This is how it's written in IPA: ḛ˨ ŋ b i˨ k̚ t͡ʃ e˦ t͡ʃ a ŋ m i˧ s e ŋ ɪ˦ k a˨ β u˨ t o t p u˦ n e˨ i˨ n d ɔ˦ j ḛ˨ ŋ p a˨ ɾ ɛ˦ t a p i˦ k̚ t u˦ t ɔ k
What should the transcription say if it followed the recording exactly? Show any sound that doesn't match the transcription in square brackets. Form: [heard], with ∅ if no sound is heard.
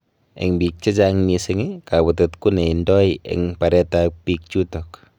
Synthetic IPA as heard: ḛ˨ ŋ b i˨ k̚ t͡ʃ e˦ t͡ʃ a ŋ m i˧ s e ŋ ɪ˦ k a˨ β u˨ t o t [k] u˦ n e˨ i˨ n d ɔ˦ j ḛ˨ ŋ p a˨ ɾ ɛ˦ t a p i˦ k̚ [t͡ʃ] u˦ t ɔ k

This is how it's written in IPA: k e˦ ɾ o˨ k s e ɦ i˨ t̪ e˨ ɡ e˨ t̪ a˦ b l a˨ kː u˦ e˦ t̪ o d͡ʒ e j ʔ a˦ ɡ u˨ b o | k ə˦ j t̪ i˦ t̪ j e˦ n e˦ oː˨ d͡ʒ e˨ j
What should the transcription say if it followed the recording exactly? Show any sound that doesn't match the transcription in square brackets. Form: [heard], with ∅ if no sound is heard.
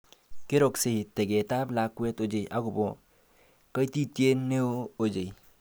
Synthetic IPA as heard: k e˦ ɾ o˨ k s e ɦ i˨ t̪ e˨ ɡ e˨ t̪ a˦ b l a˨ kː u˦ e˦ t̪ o d͡ʒ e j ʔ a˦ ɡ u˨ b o | k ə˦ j t̪ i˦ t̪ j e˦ n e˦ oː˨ d͡ʒ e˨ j

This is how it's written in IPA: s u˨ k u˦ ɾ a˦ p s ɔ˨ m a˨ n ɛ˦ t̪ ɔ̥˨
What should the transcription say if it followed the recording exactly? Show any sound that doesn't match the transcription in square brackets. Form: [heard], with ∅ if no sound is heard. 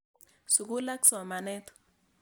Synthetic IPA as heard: s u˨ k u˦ [l] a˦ [k] s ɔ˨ m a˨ n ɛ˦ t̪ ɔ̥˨

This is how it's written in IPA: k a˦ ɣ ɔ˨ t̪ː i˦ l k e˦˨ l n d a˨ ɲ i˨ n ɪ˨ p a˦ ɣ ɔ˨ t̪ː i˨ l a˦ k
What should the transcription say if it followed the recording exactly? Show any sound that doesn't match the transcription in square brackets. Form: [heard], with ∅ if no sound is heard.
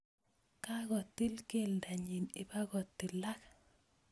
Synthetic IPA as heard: k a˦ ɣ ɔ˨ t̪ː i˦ l k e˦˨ l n d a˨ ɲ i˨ n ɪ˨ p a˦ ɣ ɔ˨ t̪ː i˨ l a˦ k

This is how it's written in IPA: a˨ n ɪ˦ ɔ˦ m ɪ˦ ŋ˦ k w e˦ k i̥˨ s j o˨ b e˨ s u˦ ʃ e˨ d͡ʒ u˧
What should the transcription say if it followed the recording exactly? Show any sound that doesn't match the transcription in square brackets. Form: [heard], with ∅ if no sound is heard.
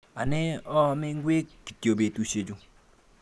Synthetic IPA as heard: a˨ n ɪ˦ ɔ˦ m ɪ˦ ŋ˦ [ɡ] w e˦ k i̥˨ [t] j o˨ b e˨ [t] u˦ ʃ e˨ d͡ʒ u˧

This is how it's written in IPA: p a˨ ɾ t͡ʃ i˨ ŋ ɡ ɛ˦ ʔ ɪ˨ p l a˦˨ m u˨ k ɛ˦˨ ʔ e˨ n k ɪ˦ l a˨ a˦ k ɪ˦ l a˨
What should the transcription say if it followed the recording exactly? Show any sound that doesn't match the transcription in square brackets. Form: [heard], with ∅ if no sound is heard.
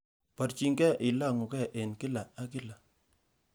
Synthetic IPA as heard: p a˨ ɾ t͡ʃ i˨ ŋ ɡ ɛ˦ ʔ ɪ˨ [∅] l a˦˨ [ŋ] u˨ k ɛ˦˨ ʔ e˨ n k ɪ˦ l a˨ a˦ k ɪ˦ l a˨

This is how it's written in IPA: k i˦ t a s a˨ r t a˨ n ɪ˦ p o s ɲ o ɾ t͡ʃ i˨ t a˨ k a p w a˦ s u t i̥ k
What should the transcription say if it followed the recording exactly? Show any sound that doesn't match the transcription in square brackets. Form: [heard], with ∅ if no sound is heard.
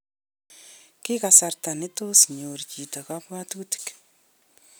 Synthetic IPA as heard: k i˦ [k] a s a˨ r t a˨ n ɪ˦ [t] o s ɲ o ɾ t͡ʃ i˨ t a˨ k a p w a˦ [t] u t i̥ k

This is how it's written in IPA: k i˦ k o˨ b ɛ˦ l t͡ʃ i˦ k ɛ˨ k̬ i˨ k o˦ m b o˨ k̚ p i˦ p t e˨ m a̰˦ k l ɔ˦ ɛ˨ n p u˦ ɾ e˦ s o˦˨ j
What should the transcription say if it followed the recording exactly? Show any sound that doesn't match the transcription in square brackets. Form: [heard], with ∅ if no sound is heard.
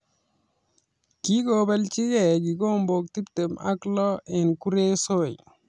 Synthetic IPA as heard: k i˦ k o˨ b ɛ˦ l t͡ʃ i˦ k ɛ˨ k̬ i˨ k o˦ m b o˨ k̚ [t] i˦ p t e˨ m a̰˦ k l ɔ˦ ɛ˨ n [k] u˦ ɾ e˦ s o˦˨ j

